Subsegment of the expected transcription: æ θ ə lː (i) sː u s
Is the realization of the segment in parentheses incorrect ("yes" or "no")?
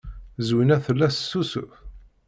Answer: yes